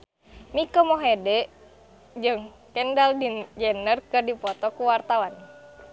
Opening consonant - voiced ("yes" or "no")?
yes